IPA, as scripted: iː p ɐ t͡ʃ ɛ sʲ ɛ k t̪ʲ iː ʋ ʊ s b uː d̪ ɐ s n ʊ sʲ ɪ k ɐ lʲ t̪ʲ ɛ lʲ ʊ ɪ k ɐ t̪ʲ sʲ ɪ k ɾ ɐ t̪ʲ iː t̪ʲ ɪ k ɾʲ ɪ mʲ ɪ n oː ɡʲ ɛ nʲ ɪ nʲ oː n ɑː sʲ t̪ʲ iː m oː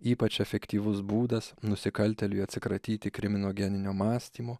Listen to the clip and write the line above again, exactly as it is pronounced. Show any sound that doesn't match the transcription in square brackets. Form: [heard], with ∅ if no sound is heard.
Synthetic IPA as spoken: iː p ɐ t͡ʃ ɛ [fʲ] ɛ k t̪ʲ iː ʋ ʊ s b uː d̪ ɐ s n ʊ sʲ ɪ k ɐ lʲ t̪ʲ ɛ lʲ ʊ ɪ [∅] ɐ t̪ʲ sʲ ɪ k ɾ ɐ t̪ʲ iː t̪ʲ ɪ k ɾʲ ɪ mʲ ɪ n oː ɡʲ ɛ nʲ ɪ nʲ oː [m] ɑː sʲ t̪ʲ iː m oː

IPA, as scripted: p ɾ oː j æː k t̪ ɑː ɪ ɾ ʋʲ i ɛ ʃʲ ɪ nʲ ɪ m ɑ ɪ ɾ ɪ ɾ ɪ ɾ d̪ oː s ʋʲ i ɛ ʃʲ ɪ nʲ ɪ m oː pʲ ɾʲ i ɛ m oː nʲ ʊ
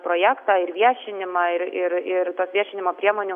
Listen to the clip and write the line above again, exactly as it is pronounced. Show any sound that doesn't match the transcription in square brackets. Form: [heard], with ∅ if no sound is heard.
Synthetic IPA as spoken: p ɾ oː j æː k t̪ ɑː ɪ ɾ ʋʲ i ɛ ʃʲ ɪ nʲ ɪ m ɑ ɪ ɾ ɪ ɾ ɪ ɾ [t̪] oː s ʋʲ i ɛ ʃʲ ɪ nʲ ɪ m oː pʲ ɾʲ i ɛ m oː nʲ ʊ

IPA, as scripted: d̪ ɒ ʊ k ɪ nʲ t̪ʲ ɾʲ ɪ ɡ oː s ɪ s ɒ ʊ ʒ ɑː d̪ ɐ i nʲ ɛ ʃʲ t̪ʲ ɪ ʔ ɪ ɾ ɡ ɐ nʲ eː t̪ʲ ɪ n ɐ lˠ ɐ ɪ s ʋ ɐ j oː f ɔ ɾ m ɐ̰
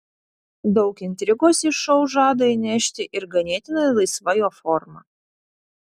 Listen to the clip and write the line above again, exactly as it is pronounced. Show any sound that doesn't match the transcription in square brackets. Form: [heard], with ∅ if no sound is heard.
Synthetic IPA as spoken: d̪ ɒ ʊ k ɪ nʲ t̪ʲ ɾʲ ɪ ɡ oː s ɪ [ʃ] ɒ ʊ ʒ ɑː d̪ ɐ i nʲ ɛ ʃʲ t̪ʲ ɪ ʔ ɪ ɾ ɡ ɐ nʲ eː t̪ʲ ɪ n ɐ lˠ ɐ ɪ s ʋ ɐ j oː f ɔ ɾ m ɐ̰

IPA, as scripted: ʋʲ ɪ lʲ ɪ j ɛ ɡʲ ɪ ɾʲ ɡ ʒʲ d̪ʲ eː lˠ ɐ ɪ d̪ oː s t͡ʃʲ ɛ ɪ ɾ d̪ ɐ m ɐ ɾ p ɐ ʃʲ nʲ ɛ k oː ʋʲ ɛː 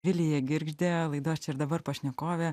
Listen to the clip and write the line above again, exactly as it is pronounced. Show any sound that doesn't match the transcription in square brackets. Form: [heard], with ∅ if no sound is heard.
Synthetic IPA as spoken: ʋʲ ɪ lʲ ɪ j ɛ ɡʲ ɪ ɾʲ ɡ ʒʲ d̪ʲ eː lˠ ɐ ɪ d̪ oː s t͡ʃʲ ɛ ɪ ɾ d̪ ɐ [b] ɐ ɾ p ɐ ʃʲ nʲ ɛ k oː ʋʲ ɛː

